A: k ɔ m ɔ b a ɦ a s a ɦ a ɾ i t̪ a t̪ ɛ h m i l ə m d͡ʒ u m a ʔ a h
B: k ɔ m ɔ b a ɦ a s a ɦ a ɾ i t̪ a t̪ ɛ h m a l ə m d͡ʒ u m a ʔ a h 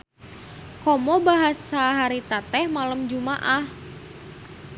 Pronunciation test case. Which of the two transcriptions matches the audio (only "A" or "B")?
B